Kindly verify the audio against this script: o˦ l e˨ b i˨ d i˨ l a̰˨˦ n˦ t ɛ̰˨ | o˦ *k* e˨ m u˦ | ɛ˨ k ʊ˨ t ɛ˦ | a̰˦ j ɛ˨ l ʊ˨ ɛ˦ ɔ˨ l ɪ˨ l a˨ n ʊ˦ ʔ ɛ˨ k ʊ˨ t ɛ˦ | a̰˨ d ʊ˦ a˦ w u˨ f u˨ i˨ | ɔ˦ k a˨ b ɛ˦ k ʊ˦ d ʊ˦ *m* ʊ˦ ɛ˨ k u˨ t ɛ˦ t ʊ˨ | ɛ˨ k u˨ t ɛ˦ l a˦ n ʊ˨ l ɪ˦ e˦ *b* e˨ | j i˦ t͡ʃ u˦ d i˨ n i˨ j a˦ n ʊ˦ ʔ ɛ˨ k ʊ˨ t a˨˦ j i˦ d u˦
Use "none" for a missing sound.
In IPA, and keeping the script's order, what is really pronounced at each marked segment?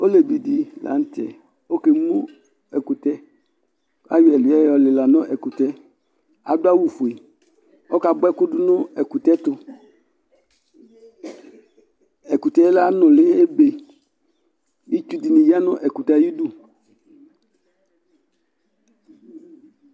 k, n, b

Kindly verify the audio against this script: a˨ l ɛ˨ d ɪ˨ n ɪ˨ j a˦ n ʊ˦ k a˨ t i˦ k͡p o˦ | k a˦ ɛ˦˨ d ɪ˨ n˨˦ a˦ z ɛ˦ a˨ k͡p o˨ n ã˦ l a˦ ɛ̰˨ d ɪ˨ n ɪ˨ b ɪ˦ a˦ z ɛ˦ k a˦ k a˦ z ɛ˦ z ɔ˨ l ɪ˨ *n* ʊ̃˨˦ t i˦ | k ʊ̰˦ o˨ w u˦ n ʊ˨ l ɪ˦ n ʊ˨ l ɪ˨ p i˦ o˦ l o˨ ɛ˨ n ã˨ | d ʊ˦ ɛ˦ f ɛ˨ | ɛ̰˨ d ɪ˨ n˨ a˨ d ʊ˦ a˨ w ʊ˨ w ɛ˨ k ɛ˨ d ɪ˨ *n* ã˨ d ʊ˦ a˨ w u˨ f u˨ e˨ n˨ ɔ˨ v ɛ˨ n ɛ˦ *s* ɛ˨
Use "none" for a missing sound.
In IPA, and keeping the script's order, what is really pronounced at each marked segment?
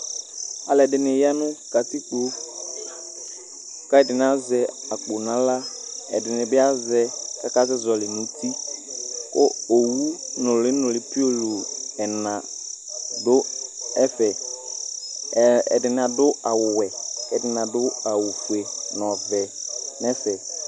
n, n, f

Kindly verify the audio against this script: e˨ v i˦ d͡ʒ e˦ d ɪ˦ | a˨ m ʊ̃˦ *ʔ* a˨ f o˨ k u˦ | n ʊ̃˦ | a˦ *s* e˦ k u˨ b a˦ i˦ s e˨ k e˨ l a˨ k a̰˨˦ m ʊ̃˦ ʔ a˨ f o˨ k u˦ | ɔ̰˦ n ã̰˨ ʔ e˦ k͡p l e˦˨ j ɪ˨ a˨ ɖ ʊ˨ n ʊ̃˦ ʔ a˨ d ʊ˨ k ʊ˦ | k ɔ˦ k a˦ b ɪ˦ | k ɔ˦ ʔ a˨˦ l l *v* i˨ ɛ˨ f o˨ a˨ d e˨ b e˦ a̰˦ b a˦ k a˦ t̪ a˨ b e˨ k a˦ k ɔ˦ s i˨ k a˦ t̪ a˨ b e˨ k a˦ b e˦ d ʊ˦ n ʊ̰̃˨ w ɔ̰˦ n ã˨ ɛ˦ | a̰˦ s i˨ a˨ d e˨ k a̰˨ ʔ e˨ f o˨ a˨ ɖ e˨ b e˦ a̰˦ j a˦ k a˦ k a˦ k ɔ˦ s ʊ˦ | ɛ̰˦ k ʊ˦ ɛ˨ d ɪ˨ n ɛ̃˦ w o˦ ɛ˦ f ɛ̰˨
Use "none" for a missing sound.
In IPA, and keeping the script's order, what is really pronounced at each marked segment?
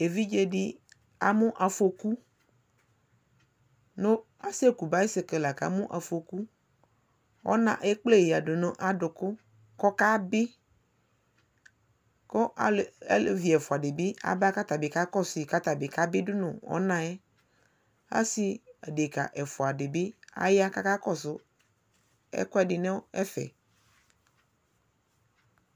ʔ, s, v

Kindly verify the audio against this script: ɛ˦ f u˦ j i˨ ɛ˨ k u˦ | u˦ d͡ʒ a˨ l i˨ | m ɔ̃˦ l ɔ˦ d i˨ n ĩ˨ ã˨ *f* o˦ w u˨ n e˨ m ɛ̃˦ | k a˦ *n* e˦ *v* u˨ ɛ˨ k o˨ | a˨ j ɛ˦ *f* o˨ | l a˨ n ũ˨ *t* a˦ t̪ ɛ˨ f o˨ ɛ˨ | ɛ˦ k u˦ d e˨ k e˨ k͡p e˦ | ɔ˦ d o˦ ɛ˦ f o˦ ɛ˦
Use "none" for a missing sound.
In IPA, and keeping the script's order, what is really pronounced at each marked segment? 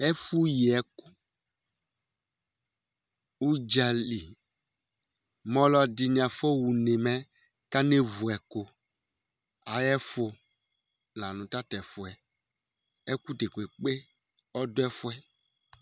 f, n, v, f, t

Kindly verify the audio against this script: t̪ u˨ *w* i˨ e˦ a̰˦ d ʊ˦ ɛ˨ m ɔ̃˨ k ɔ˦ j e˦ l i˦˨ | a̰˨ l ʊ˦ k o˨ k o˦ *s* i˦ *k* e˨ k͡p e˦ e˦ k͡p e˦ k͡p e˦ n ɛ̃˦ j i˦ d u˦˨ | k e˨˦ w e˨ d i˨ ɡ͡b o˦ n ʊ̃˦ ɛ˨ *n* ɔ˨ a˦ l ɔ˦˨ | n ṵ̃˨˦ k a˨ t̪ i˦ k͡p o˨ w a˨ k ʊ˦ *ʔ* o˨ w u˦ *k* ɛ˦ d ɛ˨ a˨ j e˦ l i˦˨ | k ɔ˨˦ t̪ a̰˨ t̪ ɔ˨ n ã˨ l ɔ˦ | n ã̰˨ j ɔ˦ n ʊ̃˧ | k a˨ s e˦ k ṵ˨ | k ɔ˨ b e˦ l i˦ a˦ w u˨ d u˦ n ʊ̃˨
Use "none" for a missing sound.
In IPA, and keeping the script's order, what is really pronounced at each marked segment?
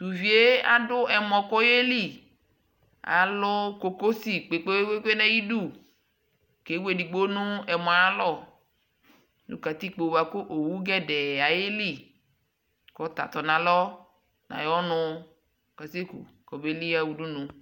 v, s, k͡p, m, ʔ, ɡ

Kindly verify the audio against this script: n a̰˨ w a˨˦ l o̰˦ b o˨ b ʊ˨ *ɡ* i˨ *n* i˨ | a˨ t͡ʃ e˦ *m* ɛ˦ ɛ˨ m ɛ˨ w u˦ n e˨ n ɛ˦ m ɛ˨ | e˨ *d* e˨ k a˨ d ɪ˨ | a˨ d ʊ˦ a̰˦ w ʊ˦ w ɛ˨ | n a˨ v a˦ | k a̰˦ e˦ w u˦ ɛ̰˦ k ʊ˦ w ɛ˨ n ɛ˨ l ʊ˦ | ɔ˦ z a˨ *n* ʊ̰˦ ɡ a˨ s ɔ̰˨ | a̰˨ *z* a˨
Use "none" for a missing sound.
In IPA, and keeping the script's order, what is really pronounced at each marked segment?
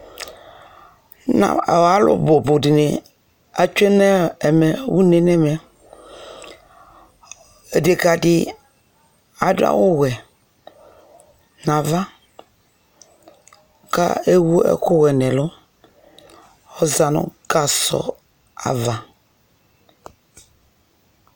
d, n, n, d, n, v

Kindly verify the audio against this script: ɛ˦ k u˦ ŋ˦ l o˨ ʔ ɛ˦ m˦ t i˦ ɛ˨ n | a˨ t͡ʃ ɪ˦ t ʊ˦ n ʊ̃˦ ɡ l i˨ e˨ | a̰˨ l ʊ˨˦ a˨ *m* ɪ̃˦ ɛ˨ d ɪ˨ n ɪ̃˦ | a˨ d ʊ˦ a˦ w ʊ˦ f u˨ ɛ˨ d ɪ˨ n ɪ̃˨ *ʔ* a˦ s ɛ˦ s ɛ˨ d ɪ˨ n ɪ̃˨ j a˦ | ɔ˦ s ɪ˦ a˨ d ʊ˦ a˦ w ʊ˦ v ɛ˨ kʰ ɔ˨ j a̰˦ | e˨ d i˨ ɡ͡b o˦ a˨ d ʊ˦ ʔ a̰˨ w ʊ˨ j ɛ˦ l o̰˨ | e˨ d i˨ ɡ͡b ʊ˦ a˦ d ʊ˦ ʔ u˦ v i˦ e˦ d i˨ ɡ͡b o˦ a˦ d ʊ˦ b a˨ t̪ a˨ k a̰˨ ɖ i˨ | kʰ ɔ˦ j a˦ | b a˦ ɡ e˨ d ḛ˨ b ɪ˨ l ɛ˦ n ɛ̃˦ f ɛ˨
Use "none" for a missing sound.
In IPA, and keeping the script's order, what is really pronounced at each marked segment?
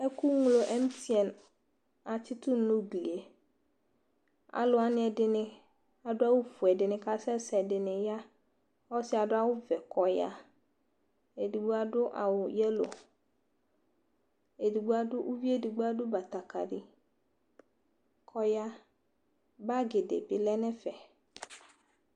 n, k

